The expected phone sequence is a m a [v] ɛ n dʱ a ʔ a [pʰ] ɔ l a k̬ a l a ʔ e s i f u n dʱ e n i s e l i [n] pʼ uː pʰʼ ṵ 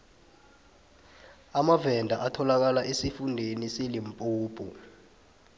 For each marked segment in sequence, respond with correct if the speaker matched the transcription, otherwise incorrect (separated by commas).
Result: correct, incorrect, incorrect